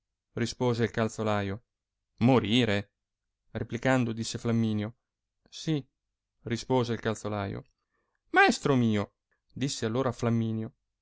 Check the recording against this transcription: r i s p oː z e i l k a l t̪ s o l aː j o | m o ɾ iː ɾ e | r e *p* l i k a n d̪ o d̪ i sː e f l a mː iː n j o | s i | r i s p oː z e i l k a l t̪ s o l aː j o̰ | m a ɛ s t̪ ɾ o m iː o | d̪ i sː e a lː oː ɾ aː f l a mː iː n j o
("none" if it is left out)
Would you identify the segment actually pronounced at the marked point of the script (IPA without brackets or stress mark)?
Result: p